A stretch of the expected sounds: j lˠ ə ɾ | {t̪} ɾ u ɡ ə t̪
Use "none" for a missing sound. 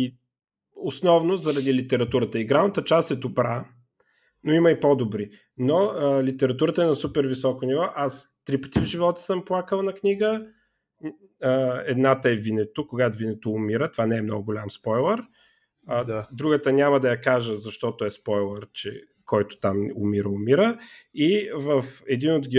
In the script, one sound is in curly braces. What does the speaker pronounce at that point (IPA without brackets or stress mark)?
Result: d̪